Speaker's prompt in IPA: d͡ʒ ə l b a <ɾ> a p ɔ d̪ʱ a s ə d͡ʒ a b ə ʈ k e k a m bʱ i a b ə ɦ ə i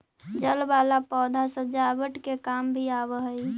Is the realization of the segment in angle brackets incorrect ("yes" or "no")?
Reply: yes